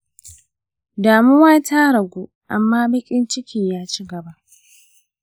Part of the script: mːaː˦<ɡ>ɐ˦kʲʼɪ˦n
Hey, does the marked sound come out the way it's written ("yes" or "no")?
no